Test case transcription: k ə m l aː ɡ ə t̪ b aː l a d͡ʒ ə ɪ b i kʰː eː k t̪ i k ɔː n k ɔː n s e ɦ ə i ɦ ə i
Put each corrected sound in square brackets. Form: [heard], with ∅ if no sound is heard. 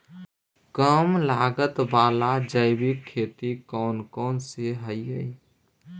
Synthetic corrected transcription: k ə m l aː ɡ ə t̪ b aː l a d͡ʒ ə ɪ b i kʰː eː [∅] t̪ i k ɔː n k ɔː n s e ɦ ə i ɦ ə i